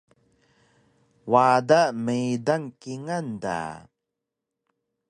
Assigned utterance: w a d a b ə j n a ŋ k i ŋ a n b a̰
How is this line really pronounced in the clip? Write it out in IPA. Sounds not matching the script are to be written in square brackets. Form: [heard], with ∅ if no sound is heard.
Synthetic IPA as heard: w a d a [m] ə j [d] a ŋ k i ŋ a n [d] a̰